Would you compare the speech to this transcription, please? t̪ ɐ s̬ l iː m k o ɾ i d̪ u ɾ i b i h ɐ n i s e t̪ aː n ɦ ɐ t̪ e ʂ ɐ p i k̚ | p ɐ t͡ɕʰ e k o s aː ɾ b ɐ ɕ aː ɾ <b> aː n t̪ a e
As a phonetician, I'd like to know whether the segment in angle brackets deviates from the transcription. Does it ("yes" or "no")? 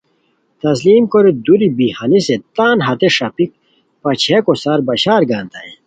yes